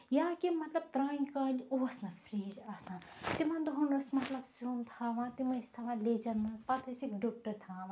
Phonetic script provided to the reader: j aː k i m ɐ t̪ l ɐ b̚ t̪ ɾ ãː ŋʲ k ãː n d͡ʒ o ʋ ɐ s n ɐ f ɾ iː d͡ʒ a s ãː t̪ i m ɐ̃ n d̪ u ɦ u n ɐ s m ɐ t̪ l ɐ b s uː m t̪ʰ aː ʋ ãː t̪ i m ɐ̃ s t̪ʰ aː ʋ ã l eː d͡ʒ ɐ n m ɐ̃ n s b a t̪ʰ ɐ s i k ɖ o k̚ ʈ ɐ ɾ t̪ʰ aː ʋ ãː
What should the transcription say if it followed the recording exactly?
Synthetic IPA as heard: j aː k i m ɐ t̪ l ɐ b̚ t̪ ɾ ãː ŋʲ k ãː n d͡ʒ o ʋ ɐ s n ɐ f ɾ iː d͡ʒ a s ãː t̪ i m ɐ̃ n d̪ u ɦ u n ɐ s m ɐ t̪ l ɐ b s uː m t̪ʰ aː ʋ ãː t̪ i m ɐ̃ s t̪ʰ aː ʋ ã l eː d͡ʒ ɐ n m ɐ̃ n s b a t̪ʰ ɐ s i k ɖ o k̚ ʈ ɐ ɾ t̪ʰ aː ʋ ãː